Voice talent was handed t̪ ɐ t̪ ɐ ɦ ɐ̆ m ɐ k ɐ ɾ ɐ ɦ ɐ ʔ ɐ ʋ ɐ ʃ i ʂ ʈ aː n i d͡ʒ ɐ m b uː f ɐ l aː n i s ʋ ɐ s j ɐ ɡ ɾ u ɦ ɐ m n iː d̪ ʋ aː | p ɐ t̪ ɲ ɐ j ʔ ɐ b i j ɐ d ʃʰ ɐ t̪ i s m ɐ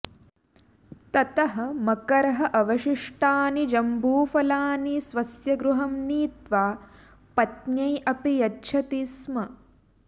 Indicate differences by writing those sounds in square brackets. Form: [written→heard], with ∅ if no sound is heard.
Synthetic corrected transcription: t̪ ɐ t̪ ɐ ɦ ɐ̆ m ɐ k ɐ ɾ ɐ ɦ ɐ ʔ ɐ ʋ ɐ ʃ i ʂ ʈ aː n i d͡ʒ ɐ m b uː f ɐ l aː n i s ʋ ɐ s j ɐ ɡ ɾ u ɦ ɐ m n iː [d̪→t̪] ʋ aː | p ɐ t̪ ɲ ɐ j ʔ ɐ [b→p] i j ɐ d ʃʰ ɐ t̪ i s m ɐ